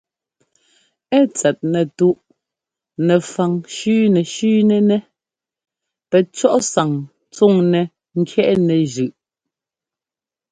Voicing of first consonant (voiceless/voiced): voiceless